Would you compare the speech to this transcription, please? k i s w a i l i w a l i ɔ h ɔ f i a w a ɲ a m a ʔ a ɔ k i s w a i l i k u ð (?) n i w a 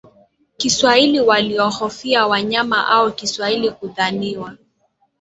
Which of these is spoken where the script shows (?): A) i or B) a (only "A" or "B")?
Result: B